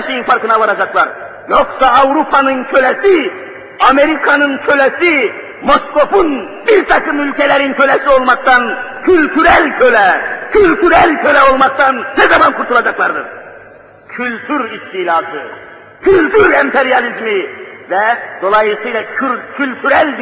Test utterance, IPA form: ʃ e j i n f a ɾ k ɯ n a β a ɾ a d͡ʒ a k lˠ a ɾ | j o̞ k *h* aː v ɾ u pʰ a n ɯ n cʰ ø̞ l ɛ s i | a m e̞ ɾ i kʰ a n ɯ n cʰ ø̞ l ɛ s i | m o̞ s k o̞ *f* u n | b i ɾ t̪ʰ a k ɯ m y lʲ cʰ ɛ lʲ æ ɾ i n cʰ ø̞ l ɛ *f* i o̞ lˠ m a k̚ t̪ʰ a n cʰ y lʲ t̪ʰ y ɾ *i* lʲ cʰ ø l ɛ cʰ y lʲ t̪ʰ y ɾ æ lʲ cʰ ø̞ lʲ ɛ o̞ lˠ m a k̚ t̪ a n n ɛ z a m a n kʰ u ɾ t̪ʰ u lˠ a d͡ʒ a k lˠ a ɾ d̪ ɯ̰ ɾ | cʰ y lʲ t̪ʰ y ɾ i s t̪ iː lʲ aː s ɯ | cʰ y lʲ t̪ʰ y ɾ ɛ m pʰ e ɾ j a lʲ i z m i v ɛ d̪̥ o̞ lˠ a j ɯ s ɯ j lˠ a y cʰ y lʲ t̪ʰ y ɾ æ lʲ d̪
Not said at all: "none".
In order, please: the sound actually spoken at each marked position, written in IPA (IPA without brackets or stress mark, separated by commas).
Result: s, f, s, æ